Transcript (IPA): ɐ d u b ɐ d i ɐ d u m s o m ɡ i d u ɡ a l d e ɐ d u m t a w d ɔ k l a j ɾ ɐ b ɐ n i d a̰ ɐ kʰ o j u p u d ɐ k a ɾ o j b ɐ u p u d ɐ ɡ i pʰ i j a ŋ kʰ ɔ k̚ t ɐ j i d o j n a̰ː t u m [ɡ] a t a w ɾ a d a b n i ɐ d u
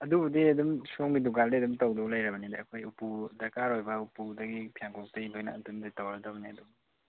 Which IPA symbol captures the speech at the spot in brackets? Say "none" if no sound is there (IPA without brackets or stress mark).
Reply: d